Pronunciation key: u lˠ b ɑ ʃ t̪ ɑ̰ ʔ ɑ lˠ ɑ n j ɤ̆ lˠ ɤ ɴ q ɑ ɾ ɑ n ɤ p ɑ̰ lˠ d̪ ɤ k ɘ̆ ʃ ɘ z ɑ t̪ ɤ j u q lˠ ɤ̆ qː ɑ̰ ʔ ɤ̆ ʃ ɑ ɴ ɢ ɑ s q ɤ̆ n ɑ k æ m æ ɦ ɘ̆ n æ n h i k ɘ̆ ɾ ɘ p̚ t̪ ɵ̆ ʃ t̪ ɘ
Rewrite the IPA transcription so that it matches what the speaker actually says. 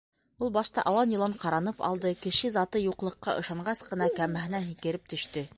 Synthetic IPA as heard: u lˠ b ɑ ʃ t̪ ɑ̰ ʔ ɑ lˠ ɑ n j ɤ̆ lˠ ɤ ɴ q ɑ ɾ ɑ n ɤ p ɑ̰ lˠ d̪ ɤ k ɘ̆ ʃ ɘ z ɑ t̪ ɤ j u q lˠ ɤ̆ qː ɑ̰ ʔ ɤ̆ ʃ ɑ ɴ ɢ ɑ s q ɤ̆ n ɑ k æ m æ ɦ ɘ̆ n æ n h i k ɘ̆ ɾ ɘ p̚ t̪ ɵ̆ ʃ t̪ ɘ